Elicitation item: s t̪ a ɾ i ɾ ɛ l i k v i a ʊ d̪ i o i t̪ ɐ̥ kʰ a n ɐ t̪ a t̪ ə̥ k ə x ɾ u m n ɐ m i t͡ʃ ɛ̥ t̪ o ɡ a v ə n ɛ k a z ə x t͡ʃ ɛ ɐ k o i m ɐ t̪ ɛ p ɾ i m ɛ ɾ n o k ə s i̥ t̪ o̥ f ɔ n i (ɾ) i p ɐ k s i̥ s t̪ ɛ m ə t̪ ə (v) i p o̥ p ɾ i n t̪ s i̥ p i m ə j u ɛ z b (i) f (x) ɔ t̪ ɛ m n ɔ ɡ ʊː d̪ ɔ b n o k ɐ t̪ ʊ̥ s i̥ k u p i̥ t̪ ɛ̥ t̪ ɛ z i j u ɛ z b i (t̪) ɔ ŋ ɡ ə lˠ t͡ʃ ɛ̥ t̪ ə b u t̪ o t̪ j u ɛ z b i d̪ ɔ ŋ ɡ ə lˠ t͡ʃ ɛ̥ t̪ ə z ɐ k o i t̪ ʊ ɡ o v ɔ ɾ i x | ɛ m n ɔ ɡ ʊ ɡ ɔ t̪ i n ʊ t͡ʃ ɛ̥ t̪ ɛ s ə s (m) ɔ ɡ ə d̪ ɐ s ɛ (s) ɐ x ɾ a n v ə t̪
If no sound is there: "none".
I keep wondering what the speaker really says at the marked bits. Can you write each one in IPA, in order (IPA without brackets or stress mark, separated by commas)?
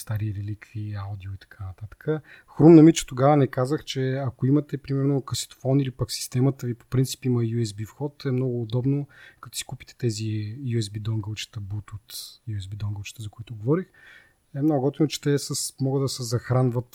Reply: l, v, i, x, d̪, m, z